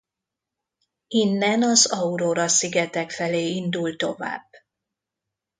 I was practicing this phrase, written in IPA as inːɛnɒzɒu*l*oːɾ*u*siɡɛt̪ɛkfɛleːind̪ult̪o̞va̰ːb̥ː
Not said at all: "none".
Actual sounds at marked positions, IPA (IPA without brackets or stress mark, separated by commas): ɾ, ɒ